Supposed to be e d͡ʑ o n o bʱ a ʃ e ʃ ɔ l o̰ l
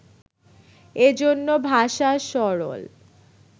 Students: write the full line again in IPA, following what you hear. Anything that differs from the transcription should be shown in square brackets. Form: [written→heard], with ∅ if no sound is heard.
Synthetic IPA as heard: e d͡ʑ o [n→nː] o bʱ a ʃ [e→a] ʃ ɔ [l→ɾ] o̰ l